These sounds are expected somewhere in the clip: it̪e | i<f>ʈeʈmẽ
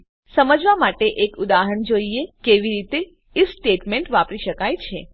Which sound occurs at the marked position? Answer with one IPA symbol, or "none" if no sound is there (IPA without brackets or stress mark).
s